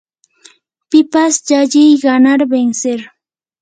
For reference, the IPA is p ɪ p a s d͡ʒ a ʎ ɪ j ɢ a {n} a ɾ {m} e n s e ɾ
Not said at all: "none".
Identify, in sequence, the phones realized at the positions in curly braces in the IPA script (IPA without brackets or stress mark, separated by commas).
n, b